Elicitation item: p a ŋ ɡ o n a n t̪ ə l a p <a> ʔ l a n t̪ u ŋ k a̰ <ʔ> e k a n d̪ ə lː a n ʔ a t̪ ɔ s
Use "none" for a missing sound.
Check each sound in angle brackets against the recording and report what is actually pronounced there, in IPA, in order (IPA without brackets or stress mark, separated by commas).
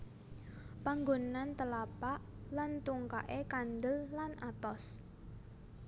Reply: a, ʔ